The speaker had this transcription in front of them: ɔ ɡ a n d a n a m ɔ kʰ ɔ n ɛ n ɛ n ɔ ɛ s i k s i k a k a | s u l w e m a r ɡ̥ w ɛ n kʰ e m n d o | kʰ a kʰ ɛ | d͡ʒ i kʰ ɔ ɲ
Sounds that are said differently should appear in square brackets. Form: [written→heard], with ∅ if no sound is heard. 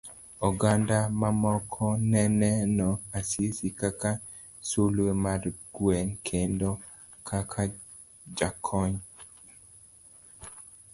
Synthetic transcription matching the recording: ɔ ɡ a n d a [n→m] a m ɔ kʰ ɔ n ɛ n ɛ n ɔ [ɛ→a] s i [k→∅] s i k a k a | s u l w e m a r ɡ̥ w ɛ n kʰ e [m→∅] n d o | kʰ a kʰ [ɛ→a] | d͡ʒ [i→a] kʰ ɔ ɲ